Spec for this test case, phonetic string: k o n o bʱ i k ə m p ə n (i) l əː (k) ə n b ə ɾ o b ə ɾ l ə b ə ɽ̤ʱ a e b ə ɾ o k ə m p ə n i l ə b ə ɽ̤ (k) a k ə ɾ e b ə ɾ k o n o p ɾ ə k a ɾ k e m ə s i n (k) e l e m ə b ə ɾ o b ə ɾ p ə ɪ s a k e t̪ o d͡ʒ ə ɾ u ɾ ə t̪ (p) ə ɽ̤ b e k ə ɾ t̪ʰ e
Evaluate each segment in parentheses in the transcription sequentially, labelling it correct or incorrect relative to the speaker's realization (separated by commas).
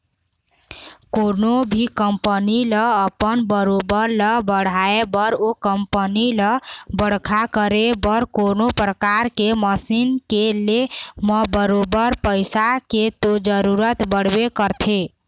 correct, incorrect, incorrect, correct, incorrect